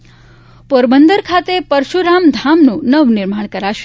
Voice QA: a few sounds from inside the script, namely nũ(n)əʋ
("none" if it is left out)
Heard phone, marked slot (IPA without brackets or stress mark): n